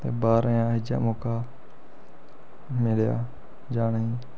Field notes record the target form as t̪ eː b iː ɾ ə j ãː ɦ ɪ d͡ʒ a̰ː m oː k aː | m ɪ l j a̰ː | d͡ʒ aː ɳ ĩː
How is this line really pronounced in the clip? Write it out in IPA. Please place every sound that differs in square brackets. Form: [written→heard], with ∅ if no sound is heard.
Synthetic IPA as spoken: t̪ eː b [iː→aː] ɾ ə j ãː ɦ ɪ d͡ʒ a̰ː m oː k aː | m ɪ l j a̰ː | d͡ʒ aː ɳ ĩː